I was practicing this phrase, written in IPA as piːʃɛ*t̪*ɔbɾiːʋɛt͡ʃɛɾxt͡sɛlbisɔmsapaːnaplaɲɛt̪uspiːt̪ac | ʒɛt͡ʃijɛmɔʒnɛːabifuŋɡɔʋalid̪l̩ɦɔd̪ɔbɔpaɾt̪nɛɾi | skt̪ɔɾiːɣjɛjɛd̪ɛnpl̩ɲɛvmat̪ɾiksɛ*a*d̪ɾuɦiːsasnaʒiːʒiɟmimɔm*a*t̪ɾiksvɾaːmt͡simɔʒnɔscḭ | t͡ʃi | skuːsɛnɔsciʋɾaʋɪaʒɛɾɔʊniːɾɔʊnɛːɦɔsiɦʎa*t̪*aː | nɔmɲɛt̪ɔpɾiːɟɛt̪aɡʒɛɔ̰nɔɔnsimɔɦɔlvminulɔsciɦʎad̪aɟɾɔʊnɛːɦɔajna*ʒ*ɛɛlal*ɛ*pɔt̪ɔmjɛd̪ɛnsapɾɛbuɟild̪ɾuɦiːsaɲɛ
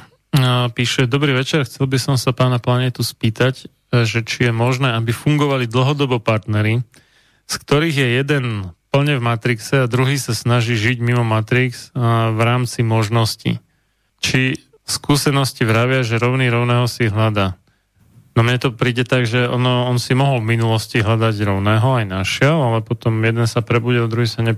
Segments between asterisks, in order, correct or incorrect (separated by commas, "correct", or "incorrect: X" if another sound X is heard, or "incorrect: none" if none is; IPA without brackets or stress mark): incorrect: d̪, correct, correct, incorrect: d̪, incorrect: ʃ, correct